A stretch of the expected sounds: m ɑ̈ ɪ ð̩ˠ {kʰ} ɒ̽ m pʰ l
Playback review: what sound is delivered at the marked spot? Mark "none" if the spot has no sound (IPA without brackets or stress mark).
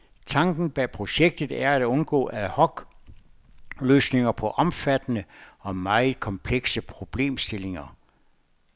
kʰ